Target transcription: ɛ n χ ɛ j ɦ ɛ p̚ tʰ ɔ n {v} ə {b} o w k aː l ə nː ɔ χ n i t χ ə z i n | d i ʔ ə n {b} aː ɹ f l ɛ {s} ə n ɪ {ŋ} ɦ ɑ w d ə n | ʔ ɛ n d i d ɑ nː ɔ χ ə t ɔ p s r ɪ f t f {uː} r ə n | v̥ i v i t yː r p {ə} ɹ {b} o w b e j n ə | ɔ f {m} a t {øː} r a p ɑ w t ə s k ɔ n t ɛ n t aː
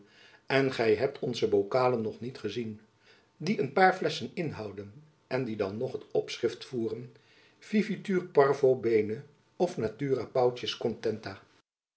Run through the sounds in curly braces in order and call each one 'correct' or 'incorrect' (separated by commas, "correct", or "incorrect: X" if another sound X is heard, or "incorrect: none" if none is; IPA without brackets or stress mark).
incorrect: z, correct, incorrect: p, correct, incorrect: n, correct, incorrect: ɑ, incorrect: v, incorrect: n, incorrect: yː